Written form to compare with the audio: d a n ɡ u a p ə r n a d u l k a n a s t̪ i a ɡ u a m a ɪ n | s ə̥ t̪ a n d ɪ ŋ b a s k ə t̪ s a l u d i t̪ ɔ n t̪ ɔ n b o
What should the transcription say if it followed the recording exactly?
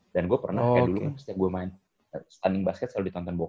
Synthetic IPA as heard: d a n ɡ u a p ə r n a d u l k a n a s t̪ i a ɡ u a m a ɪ n | s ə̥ t̪ a n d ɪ ŋ b a s k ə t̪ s a l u d i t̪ ɔ n t̪ ɔ n b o